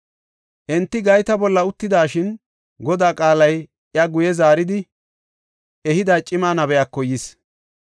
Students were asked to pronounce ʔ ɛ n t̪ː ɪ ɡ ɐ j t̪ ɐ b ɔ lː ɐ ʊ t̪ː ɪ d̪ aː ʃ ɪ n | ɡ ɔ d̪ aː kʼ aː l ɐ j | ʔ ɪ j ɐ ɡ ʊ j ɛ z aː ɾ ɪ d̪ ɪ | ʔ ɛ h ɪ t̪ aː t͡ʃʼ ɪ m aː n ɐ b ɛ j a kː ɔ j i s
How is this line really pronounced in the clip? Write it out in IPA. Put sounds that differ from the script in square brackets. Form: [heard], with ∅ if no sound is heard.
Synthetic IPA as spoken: ʔ ɛ n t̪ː ɪ ɡ ɐ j t̪ ɐ b ɔ lː ɐ ʊ t̪ː ɪ d̪ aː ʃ ɪ n | ɡ ɔ d̪ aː kʼ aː l ɐ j | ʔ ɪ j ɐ ɡ ʊ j ɛ z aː ɾ ɪ d̪ ɪ | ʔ ɛ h ɪ [d̪] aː t͡ʃʼ ɪ m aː n ɐ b ɛ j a kː ɔ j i s